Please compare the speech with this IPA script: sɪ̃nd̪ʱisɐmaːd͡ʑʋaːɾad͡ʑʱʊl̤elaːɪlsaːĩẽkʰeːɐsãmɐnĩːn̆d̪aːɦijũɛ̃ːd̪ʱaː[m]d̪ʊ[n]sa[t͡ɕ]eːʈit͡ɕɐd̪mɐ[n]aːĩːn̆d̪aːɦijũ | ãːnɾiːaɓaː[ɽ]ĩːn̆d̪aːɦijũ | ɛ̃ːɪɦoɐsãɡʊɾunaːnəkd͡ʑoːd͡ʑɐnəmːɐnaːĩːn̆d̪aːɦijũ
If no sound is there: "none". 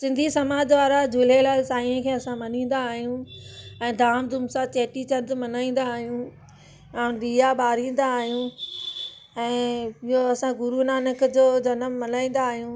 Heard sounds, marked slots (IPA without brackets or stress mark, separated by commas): m, m, t͡ɕ, n, ɾ